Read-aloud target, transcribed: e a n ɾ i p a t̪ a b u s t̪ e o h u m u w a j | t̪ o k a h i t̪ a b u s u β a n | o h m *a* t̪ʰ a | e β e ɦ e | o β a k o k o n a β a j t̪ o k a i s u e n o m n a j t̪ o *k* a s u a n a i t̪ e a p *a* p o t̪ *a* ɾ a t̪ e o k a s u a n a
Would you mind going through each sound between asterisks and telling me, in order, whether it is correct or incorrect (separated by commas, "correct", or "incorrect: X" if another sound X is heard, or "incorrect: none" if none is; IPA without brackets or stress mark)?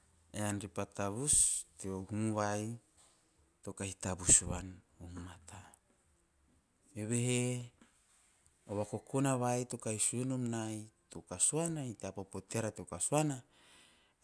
correct, correct, correct, incorrect: e